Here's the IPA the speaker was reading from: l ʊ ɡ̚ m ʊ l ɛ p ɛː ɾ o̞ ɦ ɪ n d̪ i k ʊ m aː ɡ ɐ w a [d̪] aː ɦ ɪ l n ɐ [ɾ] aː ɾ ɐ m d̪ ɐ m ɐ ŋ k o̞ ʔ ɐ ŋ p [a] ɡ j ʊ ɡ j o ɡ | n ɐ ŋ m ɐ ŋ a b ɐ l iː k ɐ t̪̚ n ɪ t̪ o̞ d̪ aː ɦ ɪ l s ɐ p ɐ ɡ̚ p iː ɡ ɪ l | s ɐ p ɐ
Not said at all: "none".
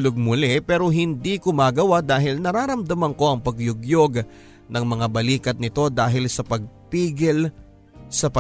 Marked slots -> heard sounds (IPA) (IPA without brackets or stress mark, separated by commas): d̪, ɾ, ɐ